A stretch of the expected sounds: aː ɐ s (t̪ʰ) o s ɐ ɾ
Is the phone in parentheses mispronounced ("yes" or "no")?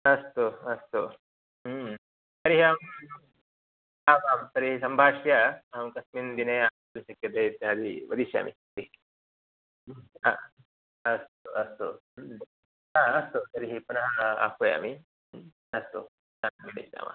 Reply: yes